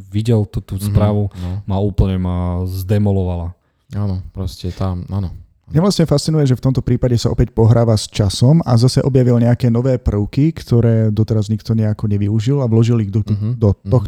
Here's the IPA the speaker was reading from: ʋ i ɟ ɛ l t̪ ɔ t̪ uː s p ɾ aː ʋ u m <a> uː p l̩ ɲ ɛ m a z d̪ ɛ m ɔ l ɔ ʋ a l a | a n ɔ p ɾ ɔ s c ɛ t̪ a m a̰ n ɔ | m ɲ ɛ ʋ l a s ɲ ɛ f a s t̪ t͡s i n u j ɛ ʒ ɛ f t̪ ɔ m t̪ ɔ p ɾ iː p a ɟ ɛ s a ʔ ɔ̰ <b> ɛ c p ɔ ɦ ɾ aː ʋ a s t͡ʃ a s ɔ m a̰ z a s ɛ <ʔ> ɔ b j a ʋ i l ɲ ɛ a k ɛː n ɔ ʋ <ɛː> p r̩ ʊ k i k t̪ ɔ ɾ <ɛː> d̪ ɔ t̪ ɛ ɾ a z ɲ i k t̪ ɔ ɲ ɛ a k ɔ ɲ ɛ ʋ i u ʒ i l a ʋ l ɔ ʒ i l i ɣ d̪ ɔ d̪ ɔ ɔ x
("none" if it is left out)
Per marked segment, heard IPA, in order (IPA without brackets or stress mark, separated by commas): a, p, ʔ, ɛː, ɛː